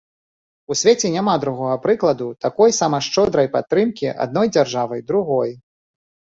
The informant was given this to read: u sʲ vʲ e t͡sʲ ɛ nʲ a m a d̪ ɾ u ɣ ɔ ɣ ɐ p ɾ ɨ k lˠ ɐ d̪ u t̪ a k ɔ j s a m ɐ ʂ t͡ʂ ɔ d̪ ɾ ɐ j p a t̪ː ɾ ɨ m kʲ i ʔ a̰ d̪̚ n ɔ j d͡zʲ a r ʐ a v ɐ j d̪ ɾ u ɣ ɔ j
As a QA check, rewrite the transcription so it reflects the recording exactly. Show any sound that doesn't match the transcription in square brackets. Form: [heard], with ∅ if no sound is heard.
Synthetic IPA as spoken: u sʲ vʲ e t͡sʲ ɛ nʲ a m a d̪ ɾ u ɣ ɔ ɣ ɐ p ɾ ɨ k lˠ ɐ d̪ u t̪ a k ɔ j s a m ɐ ʂ t͡ʂ ɔ d̪ ɾ ɐ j p a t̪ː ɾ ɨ m kʲ i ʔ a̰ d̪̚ n ɔ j d͡zʲ a r ʐ a v ɐ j d̪ ɾ u ɣ ɔ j

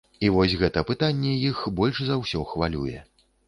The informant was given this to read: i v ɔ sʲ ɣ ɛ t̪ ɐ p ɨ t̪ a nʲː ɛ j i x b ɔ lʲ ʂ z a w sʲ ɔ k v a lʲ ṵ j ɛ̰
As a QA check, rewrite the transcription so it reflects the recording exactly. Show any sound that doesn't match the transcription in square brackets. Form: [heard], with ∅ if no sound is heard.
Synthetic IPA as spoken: i v ɔ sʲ ɣ ɛ t̪ ɐ p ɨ t̪ a nʲː ɛ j i x b ɔ lʲ ʂ z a w sʲ ɔ [x] v a lʲ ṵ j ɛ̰

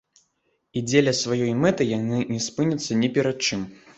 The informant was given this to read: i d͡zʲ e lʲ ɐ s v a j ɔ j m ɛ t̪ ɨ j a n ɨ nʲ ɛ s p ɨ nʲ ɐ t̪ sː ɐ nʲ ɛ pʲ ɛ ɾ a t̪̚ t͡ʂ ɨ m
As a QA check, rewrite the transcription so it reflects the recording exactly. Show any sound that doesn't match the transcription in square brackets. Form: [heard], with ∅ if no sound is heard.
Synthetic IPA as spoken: i d͡zʲ e lʲ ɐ s v a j ɔ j m ɛ t̪ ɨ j a n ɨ nʲ ɛ s p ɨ nʲ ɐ t̪ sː ɐ nʲ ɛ pʲ ɛ ɾ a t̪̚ t͡ʂ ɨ m

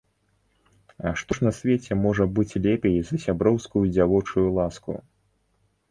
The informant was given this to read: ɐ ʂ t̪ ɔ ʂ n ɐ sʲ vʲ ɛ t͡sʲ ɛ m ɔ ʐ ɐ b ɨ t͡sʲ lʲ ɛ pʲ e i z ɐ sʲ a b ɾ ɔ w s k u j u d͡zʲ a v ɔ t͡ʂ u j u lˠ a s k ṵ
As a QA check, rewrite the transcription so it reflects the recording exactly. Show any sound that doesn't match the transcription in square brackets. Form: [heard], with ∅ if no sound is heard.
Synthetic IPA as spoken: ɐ ʂ t̪ ɔ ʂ n ɐ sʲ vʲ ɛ t͡sʲ ɛ m ɔ ʐ ɐ b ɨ t͡sʲ lʲ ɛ pʲ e [j] z ɐ sʲ a b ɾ ɔ w s k u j u d͡zʲ a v ɔ t͡ʂ u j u lˠ a s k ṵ

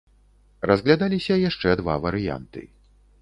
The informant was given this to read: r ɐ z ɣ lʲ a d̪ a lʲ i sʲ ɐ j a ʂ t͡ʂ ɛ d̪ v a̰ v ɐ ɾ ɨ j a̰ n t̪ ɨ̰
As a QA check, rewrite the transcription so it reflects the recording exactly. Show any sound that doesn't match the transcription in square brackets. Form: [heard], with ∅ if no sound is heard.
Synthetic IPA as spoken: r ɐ z ɣ lʲ a d̪ a lʲ i sʲ ɐ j a ʂ t͡ʂ ɛ d̪ v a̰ v ɐ ɾ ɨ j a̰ n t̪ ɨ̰

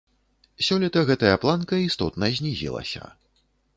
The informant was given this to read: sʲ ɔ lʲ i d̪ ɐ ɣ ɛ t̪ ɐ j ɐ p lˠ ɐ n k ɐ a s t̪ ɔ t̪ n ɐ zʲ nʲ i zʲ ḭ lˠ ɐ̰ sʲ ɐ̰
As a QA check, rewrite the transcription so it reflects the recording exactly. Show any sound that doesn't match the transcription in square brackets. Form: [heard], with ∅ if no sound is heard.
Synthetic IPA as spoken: sʲ ɔ lʲ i [t̪] ɐ ɣ ɛ t̪ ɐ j ɐ p lˠ [a] n k ɐ [i] s t̪ ɔ t̪ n ɐ zʲ nʲ i zʲ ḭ lˠ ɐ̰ sʲ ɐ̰

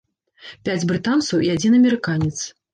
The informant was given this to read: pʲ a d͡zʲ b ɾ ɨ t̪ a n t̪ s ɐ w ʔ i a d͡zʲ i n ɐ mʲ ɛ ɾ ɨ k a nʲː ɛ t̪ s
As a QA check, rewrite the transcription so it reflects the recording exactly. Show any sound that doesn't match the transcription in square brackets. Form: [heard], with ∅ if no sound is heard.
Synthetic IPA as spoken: pʲ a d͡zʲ b ɾ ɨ t̪ a n t̪ s ɐ w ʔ i a d͡zʲ i n ɐ mʲ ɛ ɾ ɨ k a [nʲ] ɛ t̪ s

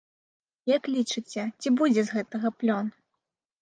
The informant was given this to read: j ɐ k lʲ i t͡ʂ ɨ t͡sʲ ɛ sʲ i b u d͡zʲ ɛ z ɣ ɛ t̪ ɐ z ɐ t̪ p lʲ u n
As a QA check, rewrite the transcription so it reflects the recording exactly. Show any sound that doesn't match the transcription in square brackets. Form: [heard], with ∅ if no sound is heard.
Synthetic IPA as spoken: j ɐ k lʲ i t͡ʂ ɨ t͡sʲ ɛ [t͡sʲ] i b u d͡zʲ ɛ z ɣ ɛ t̪ ɐ [ɣ] ɐ [∅] p lʲ [ɔ] n

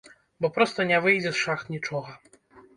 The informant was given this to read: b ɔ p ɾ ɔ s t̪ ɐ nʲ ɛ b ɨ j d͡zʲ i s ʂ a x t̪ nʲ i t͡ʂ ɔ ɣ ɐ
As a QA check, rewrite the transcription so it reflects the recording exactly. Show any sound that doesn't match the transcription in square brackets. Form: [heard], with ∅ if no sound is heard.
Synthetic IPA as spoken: b ɔ p ɾ ɔ s t̪ ɐ nʲ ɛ [v] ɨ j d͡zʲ [ɛ] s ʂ a x t̪ nʲ i t͡ʂ ɔ ɣ ɐ

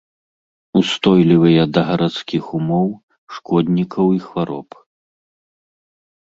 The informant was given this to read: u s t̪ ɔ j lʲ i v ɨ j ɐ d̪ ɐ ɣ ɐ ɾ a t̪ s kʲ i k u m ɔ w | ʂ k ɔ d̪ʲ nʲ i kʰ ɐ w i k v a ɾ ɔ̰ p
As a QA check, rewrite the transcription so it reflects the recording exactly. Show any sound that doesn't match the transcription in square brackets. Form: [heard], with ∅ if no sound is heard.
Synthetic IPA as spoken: u s t̪ ɔ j lʲ i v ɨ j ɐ d̪ ɐ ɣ ɐ ɾ a t̪ s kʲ i [x] u m ɔ w | ʂ k ɔ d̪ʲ nʲ i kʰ ɐ w i [x] v a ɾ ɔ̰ p

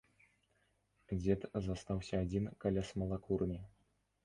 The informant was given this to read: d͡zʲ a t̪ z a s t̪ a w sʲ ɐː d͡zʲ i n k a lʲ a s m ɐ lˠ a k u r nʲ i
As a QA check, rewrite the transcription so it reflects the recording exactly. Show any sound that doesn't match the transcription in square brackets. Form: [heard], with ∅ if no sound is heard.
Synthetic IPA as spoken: d͡zʲ [ɛ] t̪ z a s t̪ a w sʲ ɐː d͡zʲ i n k a lʲ a s m ɐ lˠ a k u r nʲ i

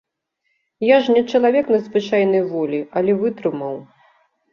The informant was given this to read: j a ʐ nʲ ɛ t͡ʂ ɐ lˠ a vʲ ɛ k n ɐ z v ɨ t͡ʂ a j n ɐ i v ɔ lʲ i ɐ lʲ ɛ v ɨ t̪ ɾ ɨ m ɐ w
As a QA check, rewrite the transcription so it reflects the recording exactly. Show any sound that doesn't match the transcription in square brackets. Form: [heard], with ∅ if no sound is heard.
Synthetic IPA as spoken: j a ʐ nʲ ɛ t͡ʂ ɐ lˠ a vʲ ɛ k n ɐ z v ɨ t͡ʂ a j n ɐ [j] v ɔ lʲ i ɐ lʲ ɛ v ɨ t̪ ɾ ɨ m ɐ w

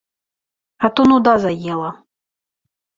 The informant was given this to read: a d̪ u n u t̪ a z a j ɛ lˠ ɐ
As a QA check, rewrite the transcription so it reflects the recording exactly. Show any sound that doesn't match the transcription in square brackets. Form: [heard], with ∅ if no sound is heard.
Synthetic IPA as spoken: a [t̪] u n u [d̪] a z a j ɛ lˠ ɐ

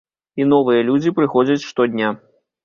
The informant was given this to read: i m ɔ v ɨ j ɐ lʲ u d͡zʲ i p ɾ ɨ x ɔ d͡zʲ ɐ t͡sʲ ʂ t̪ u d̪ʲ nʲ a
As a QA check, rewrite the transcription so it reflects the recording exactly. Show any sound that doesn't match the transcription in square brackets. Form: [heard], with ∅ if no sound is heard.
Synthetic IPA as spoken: i [n] ɔ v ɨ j ɐ lʲ u d͡zʲ i p ɾ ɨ x ɔ d͡zʲ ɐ t͡sʲ ʂ t̪ [ɔ] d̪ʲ nʲ a

